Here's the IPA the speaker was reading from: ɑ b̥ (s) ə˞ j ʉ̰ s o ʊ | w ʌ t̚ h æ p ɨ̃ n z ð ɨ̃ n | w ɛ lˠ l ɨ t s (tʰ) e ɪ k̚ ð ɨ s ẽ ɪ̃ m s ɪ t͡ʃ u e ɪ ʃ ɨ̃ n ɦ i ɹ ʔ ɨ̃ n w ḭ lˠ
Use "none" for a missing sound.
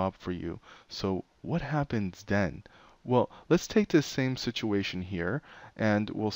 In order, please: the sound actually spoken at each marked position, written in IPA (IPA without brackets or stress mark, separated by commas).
f, tʰ